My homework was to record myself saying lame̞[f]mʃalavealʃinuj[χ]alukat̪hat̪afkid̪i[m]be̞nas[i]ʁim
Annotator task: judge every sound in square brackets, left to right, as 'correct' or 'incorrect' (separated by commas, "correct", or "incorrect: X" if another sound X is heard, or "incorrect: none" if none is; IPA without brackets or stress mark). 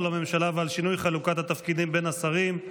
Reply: incorrect: none, correct, correct, incorrect: a